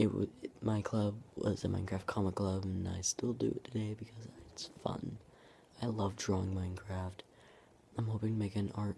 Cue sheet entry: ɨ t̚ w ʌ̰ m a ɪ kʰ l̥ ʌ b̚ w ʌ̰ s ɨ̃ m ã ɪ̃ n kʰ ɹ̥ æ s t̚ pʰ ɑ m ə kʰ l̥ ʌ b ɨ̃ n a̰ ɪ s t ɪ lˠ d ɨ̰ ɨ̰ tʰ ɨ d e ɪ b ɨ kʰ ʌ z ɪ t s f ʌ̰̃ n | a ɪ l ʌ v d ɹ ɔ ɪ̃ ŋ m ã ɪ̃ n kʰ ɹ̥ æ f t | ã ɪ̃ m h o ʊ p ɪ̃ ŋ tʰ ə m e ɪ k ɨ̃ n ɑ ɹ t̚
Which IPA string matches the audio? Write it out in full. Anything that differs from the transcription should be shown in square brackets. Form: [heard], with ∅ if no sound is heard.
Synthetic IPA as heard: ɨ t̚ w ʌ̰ m a ɪ kʰ l̥ ʌ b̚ w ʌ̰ [z] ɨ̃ m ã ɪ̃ n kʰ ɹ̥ æ [f] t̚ [kʰ] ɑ m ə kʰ l̥ ʌ b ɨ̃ n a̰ ɪ s t ɪ lˠ d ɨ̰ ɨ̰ tʰ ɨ d e ɪ b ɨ kʰ ʌ z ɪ t s f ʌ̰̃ n | a ɪ l ʌ v d ɹ ɔ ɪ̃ ŋ m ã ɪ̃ n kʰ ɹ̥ æ f t | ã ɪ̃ m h o ʊ p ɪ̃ ŋ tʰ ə m e ɪ k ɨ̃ n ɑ ɹ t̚